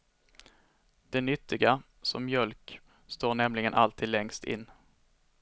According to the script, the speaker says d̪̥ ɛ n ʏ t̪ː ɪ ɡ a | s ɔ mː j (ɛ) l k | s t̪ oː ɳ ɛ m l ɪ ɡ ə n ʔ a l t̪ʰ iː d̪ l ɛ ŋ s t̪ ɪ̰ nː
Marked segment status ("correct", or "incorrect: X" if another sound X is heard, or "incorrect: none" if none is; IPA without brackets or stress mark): incorrect: œ